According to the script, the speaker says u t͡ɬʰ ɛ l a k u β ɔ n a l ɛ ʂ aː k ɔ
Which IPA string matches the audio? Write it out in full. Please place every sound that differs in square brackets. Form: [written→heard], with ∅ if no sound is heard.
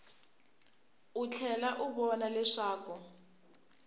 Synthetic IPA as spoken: u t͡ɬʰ ɛ l a [k→ʔ] u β ɔ n a l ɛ ʂ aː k ɔ